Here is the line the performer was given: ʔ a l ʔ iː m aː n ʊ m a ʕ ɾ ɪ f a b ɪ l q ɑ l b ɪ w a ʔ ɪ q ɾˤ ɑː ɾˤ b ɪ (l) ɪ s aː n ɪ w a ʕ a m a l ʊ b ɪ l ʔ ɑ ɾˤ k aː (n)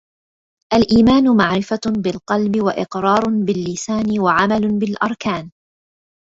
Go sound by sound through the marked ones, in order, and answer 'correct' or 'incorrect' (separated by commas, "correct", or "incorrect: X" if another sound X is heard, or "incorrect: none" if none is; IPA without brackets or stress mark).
incorrect: lː, correct